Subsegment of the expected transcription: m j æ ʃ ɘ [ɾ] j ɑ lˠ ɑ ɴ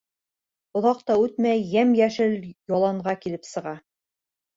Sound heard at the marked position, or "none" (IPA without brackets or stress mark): l